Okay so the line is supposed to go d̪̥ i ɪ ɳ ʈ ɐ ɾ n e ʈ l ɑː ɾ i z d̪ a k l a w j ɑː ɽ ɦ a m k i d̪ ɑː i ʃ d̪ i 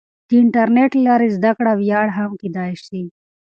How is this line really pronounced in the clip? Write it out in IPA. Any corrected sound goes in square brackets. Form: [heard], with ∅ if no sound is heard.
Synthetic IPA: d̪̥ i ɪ ɳ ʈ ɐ ɾ n e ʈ l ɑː ɾ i z d̪ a k [ɽ] a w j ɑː ɽ ɦ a m k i d̪ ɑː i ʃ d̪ i